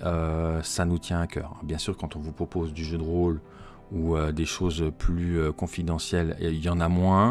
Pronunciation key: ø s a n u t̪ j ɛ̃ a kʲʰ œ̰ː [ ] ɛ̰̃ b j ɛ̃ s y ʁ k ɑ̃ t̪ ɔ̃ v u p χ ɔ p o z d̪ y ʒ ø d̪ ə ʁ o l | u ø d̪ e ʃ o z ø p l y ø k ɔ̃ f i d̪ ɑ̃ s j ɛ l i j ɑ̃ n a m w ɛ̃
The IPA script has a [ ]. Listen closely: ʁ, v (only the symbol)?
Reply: ʁ